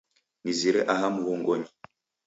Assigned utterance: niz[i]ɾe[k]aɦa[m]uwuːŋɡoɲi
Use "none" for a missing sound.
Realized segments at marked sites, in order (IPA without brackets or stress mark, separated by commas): i, ʔ, m